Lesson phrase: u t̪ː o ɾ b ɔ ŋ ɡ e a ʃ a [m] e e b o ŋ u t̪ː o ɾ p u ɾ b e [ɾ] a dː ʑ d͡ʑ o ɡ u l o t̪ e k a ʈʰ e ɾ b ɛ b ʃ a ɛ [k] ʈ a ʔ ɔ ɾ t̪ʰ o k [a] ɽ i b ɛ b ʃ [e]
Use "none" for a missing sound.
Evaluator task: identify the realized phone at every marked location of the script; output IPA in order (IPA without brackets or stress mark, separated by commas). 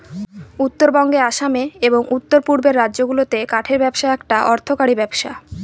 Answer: m, ɾː, k, a, a